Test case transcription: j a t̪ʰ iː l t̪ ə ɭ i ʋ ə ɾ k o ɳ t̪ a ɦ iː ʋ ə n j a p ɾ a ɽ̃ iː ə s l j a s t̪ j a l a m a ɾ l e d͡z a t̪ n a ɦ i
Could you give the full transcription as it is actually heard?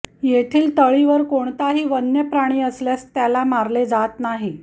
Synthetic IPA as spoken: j e t̪ʰ iː l t̪ ə ɭ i ʋ ə ɾ k o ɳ t̪ a ɦ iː ʋ ə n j ə p ɾ a ɽ̃ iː ə s l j a s t̪ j a l a m a ɾ l e d͡z a t̪ n a ɦ i

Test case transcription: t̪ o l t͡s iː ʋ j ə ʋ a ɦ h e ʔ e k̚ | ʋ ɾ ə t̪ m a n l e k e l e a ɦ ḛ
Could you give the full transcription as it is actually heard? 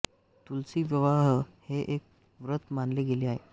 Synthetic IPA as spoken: t̪ u l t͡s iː ʋ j ə ʋ a ɦ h e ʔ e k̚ | ʋ ɾ ə t̪ m a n l e ɡ e l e a ɦ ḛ

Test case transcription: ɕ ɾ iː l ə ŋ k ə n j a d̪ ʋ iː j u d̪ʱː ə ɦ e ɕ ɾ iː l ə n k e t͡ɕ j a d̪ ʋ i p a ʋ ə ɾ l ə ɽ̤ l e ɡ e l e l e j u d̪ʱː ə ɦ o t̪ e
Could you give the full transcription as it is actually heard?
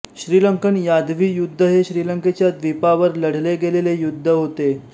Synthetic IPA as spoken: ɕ ɾ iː l ə ŋ k ə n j a d̪ ʋ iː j u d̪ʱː ə ɦ e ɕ ɾ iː l ə ŋ k e t͡ɕ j a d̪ ʋ i p a ʋ ə ɾ l ə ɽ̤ l e ɡ e l e l e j u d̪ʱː ə ɦ o t̪ e

